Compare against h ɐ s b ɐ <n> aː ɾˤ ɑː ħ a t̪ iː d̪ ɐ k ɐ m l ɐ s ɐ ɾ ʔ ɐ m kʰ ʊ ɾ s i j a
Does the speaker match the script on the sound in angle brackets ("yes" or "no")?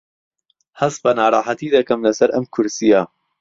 yes